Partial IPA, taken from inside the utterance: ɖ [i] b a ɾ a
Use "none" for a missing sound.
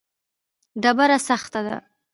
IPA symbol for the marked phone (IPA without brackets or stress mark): a